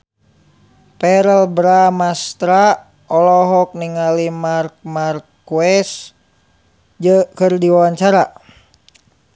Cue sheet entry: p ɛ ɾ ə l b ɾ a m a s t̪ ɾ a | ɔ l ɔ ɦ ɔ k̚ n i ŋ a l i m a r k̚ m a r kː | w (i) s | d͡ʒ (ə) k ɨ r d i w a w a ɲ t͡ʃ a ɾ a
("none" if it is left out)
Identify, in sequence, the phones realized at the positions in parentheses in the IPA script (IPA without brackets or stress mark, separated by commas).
ɛ, ə